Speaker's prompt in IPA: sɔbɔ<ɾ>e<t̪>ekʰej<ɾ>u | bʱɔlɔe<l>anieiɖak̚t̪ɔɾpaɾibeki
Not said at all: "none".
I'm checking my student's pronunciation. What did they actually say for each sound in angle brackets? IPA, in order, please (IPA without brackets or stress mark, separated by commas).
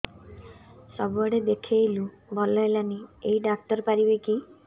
ɽ, d̪, l, l